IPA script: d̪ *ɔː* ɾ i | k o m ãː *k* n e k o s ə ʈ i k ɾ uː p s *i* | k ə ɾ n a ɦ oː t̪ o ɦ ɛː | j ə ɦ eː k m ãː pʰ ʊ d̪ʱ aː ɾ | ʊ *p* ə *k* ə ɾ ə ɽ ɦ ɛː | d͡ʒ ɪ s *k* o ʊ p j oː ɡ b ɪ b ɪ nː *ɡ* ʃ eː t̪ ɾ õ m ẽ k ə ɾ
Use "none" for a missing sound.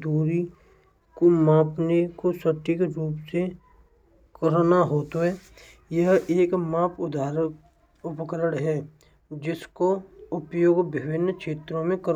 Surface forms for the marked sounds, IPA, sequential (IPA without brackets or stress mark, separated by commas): uː, p, e, p, k, k, k